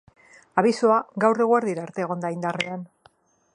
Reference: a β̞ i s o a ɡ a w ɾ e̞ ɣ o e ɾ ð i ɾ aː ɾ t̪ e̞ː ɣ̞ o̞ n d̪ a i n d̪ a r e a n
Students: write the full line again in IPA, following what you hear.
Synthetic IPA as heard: a β̞ i s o a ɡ a w r e̞ ɣ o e ɾ ð i ɾ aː ɾ t̪ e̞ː ɣ̞ o̞ n d̪ a i n d̪ a r e a n